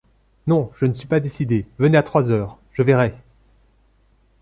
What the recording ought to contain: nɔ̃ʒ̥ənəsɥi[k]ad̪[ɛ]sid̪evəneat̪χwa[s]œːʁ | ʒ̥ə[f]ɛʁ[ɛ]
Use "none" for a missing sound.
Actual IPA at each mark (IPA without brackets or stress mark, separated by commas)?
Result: p, e, z, v, ɛ